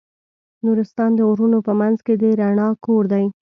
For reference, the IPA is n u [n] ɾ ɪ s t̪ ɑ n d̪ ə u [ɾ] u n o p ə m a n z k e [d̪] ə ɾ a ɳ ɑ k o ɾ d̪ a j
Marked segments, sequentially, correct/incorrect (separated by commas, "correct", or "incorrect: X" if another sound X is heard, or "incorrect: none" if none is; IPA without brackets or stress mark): incorrect: none, correct, correct